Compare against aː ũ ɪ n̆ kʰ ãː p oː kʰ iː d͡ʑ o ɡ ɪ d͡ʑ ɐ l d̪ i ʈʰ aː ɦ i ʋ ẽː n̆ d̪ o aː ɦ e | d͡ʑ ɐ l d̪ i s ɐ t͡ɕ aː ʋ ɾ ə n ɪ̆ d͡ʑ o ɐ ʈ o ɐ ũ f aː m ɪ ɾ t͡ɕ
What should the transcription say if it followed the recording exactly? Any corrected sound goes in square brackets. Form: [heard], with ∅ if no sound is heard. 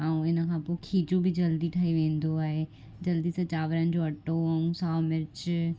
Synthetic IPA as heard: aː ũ ɪ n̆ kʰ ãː p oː kʰ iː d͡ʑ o [b] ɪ d͡ʑ ɐ l d̪ i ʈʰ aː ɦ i ʋ ẽː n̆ d̪ o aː ɦ e | d͡ʑ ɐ l d̪ i s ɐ t͡ɕ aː ʋ ɾ ə n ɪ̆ d͡ʑ o ɐ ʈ o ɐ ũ [s] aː m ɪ ɾ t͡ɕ

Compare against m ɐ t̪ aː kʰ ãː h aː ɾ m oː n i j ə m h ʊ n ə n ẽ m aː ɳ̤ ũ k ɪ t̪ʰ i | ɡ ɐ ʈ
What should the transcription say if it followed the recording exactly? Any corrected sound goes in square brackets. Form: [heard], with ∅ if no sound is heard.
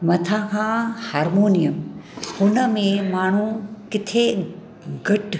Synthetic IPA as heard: m ɐ [t̪ʰ] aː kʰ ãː h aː ɾ m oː n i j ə m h ʊ n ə [m] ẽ m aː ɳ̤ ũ k ɪ t̪ʰ [e] | ɡ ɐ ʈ

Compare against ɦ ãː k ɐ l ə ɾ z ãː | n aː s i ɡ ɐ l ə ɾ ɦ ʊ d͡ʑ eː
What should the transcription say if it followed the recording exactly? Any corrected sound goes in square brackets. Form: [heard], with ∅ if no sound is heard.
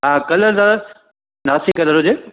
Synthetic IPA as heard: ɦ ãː k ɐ l ə ɾ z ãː | n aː s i [k] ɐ l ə ɾ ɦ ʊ d͡ʑ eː

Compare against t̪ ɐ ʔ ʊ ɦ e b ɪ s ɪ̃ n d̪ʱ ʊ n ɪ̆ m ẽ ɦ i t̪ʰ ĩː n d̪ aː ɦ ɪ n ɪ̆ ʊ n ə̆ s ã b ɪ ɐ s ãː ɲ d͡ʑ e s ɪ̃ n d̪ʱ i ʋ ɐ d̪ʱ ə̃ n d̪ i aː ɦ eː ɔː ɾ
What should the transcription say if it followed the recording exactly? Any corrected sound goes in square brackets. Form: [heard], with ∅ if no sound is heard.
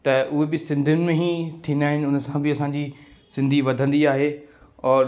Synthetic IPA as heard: t̪ ɐ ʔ ʊ ɦ e b ɪ s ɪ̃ n d̪ʱ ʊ n ɪ̆ m ẽ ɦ i t̪ʰ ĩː n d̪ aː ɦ ɪ n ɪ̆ ʊ n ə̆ s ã b ɪ ɐ s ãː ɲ d͡ʑ [i] s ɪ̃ n d̪ʱ i ʋ ɐ d̪ʱ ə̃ n d̪ i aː ɦ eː ɔː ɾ

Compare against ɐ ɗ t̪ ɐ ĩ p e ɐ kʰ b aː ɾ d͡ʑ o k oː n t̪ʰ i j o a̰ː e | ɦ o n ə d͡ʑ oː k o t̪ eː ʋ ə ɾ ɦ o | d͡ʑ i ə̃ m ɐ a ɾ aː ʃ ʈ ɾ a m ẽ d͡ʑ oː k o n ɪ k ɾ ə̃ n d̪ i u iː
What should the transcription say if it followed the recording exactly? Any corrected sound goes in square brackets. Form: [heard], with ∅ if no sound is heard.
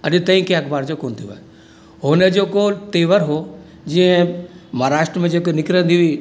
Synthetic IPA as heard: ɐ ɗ t̪ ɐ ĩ [k] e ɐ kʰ b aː ɾ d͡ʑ o k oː n t̪ʰ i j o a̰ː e | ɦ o n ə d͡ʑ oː k o t̪ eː ʋ ə ɾ ɦ o | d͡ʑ i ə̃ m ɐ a ɾ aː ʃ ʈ ɾ [ə] m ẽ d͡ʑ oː k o n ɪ k ɾ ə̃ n d̪ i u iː

